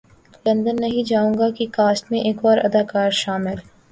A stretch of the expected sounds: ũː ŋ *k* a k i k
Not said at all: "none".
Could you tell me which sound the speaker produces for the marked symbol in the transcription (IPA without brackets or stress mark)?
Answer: ɡ